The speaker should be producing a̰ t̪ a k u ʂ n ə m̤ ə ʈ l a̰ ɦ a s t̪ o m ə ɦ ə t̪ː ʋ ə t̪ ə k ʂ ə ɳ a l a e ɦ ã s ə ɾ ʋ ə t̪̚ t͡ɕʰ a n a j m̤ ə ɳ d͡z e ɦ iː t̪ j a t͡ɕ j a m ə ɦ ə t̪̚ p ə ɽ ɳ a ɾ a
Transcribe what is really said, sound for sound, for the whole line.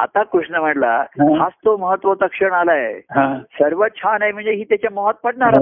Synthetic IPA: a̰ t̪ a k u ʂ n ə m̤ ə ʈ l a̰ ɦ a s t̪ o m ə ɦ ə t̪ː ʋ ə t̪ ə k ʂ ə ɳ a l a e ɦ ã s ə ɾ ʋ ə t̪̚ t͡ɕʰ a n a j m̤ ə ɳ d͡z e ɦ iː t̪ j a t͡ɕ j a m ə ɦ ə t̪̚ p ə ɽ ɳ a ɾ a